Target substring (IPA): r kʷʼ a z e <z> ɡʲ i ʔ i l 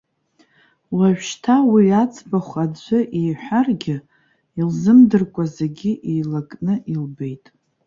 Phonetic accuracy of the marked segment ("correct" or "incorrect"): incorrect